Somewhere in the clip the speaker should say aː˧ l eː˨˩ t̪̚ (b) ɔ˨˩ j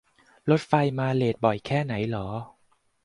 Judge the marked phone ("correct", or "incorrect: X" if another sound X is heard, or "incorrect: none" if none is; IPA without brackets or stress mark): correct